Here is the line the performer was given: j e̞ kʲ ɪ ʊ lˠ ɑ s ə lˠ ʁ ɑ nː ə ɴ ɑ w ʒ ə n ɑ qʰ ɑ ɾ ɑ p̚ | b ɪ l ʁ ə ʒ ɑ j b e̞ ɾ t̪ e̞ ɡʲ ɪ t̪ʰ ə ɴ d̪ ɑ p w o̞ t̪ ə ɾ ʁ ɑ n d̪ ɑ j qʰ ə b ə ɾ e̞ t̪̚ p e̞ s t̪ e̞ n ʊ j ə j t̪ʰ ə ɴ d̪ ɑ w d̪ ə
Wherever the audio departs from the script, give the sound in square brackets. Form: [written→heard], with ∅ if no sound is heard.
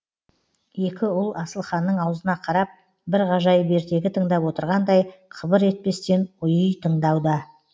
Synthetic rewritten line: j e̞ kʲ ɪ ʊ lˠ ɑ s ə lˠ [ʁ→χ] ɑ nː ə ɴ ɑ w [ʒ→z] ə n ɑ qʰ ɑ ɾ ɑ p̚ | b ɪ [l→ɾ] ʁ [ə→ɑ] ʒ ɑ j b e̞ ɾ t̪ e̞ ɡʲ ɪ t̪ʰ ə ɴ d̪ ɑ p w o̞ t̪ ə ɾ ʁ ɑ n d̪ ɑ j qʰ ə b ə ɾ e̞ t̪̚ p e̞ s t̪ e̞ n ʊ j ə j t̪ʰ ə ɴ d̪ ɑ w d̪ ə